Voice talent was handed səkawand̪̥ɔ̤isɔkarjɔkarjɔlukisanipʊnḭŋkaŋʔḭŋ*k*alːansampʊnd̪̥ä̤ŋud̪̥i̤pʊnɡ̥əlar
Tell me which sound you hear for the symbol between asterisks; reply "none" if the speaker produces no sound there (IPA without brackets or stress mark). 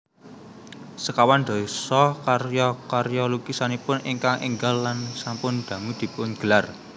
ɡ